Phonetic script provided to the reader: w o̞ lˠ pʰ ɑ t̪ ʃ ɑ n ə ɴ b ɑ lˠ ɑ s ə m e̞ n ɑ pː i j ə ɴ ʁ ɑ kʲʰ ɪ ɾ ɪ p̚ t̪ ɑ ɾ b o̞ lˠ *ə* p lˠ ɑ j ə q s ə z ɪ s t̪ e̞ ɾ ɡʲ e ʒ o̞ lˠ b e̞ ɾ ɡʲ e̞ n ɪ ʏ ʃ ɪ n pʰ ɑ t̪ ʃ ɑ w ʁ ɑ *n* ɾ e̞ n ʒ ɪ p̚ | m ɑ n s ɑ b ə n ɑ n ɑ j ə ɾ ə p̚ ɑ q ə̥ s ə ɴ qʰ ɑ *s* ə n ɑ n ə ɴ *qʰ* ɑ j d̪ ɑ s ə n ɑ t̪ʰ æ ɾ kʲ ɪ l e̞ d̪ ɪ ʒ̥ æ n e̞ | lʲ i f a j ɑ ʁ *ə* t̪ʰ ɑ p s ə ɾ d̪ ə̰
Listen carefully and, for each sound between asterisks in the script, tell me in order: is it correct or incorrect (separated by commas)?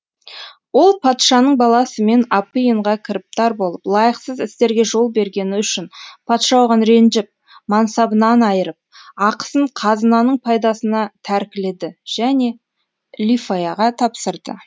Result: correct, correct, incorrect, incorrect, incorrect